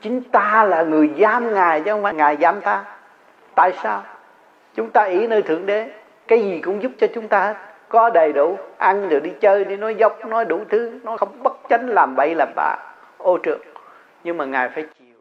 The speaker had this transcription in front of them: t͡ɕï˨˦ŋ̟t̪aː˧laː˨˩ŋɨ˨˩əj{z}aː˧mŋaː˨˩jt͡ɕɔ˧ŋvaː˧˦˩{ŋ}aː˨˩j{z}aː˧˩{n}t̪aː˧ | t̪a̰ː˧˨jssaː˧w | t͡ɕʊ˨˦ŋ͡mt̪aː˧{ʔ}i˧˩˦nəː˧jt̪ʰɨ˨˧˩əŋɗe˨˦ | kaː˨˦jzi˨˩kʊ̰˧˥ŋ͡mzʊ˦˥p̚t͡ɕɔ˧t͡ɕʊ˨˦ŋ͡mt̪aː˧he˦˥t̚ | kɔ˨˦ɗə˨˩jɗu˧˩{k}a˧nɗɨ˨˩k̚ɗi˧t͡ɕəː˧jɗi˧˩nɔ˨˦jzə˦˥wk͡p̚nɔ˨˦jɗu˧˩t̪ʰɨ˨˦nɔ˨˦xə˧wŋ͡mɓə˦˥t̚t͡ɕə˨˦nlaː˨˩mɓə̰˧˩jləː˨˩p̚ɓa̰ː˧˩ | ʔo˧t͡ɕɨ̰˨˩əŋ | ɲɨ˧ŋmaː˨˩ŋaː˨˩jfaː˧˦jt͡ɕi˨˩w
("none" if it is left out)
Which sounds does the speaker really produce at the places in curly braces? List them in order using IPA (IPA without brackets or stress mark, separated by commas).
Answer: z, ŋ, z, m, ʔ, ʔ